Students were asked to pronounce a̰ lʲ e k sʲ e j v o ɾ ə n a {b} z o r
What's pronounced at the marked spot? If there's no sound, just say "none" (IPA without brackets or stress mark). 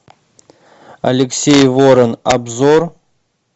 b